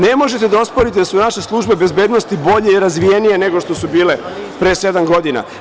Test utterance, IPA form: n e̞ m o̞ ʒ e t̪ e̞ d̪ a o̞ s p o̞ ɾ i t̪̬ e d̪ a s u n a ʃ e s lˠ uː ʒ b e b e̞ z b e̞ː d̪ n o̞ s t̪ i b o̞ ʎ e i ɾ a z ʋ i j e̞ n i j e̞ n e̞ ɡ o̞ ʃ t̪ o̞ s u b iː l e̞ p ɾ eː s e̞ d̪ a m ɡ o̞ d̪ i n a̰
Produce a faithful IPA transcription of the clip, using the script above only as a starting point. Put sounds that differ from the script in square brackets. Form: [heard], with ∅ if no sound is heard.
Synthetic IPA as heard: n e̞ m o̞ ʒ e t̪ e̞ d̪ a o̞ s p o̞ ɾ i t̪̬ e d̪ a s u n a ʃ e s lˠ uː ʒ b e b e̞ z b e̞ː d̪ n o̞ s t̪ i b o̞ ʎ e i ɾ a z ʋ i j e̞ n i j e̞ n e̞ ɡ o̞ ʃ t̪ o̞ s u b iː l e̞ p ɾ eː s e̞ d̪ a m ɡ o̞ d̪ i n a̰